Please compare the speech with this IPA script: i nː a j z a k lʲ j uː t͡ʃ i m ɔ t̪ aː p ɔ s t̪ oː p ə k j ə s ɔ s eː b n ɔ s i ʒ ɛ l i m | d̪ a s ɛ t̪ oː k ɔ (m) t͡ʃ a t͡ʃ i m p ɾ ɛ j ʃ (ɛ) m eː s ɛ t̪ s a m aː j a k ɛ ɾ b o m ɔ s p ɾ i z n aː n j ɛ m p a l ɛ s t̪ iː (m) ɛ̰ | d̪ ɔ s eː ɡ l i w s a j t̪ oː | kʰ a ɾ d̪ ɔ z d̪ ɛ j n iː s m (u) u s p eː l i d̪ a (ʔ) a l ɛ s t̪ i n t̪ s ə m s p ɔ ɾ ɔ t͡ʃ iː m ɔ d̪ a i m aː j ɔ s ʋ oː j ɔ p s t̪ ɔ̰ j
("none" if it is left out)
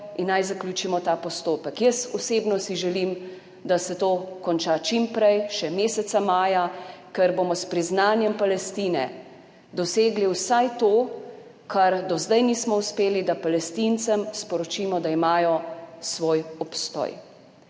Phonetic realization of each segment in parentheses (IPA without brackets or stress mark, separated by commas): n, ɛ, n, ɔ, p